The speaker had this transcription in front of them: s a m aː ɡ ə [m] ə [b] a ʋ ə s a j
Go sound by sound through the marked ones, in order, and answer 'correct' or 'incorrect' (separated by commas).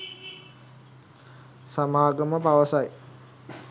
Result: correct, incorrect